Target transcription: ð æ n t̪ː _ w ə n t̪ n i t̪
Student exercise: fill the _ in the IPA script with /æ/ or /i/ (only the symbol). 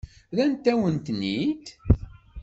æ